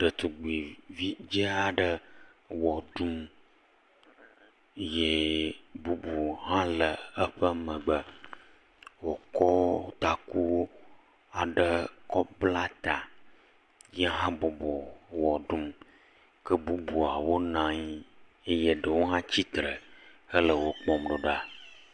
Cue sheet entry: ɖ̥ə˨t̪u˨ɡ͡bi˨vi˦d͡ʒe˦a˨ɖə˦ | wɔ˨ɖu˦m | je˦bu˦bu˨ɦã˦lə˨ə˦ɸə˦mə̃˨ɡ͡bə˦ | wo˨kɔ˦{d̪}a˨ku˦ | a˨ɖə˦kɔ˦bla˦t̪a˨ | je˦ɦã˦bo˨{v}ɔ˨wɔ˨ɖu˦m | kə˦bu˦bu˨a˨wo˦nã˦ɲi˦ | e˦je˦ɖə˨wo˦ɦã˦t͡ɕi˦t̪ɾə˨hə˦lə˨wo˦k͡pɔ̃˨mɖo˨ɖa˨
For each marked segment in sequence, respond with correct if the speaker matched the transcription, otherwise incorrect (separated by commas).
incorrect, incorrect